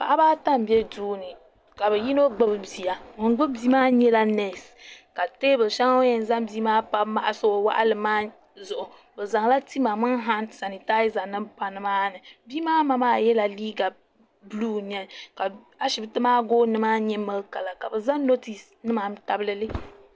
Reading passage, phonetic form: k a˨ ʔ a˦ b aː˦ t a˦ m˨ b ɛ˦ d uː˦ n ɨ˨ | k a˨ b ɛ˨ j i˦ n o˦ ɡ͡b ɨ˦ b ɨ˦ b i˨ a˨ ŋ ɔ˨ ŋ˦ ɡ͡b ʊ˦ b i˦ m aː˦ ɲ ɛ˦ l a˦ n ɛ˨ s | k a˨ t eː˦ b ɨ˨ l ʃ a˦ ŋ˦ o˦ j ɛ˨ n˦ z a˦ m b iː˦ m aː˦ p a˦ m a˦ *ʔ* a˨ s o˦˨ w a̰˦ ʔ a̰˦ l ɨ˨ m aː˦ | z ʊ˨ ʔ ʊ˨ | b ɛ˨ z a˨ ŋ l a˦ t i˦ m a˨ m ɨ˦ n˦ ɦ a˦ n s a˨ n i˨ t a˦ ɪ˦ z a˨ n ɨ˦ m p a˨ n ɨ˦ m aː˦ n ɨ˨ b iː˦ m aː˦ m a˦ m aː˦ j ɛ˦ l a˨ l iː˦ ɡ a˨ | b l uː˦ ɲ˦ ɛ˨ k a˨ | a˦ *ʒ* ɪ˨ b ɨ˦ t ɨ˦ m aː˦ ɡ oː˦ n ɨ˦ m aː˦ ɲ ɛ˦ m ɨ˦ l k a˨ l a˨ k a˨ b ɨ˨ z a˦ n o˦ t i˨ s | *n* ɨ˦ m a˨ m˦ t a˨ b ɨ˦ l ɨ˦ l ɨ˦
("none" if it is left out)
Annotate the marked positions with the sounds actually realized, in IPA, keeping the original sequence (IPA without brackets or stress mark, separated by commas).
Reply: ʔ, ʃ, n